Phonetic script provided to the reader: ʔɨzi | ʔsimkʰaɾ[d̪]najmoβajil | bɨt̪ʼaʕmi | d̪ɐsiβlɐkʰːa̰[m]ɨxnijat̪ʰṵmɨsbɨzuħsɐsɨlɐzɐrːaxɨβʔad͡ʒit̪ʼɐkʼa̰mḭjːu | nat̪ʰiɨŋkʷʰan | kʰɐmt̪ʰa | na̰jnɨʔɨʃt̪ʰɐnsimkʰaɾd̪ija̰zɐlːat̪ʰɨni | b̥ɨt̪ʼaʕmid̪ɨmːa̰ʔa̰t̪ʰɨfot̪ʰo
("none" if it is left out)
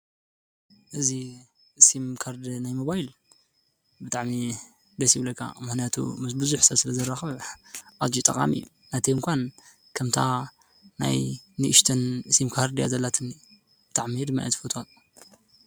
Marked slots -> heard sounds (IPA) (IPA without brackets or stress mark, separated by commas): d̪, m